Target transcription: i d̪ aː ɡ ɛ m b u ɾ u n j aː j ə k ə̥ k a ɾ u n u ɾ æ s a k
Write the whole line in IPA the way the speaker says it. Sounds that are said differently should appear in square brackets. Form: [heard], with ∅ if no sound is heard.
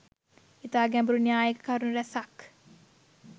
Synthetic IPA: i [t̪] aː ɡ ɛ m b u ɾ u n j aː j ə k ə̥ k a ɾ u n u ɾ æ s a k